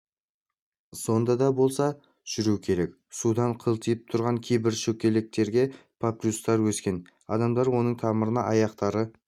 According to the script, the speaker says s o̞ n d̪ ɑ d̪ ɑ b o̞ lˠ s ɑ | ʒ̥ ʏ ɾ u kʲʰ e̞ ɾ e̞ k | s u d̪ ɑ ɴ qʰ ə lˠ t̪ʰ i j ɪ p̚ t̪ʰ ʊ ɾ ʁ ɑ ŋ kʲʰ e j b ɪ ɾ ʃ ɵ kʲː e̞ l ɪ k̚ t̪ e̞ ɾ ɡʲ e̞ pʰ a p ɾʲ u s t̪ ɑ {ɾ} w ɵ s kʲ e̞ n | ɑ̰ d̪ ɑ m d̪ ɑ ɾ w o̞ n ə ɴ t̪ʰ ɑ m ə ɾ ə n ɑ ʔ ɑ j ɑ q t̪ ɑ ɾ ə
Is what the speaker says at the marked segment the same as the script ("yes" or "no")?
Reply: yes